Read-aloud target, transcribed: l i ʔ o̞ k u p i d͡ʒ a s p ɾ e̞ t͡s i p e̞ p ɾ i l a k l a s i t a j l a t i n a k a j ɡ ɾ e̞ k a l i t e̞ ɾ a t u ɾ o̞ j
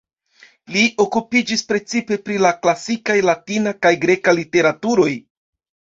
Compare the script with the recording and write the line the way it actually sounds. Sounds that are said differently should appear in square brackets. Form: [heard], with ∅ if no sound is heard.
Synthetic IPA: l i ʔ o̞ k u p i d͡ʒ [i] s p ɾ e̞ t͡s i p e̞ p ɾ i l a k l a s i [k] a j l a t i n a k a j ɡ ɾ e̞ k a l i t e̞ ɾ a t u ɾ o̞ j